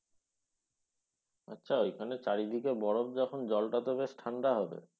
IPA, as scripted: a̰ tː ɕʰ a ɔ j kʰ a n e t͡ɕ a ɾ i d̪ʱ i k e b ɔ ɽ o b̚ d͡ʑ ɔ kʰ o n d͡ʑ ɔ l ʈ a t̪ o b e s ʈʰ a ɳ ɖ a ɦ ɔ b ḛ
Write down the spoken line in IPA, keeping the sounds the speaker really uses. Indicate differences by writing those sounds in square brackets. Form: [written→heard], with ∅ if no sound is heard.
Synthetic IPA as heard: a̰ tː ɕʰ a [ɔ→o] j kʰ a n e t͡ɕ a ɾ i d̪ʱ i k e b ɔ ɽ o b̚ d͡ʑ ɔ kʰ o n d͡ʑ ɔ l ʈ a t̪ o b e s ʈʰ a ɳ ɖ a ɦ ɔ b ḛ